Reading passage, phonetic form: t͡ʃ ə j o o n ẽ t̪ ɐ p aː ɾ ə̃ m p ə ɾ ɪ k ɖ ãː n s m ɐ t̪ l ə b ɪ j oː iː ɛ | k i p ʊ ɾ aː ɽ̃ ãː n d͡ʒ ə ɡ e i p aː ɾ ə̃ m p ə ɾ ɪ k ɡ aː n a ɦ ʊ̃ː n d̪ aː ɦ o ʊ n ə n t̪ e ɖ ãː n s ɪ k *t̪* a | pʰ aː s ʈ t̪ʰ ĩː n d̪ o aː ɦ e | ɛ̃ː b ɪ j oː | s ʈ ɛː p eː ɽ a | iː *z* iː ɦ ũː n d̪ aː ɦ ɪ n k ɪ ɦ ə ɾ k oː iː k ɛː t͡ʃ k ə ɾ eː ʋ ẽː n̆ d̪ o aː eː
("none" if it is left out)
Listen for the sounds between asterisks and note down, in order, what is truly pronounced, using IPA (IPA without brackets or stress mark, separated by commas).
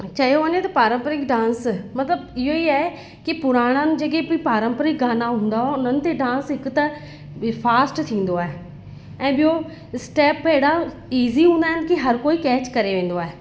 t̪, z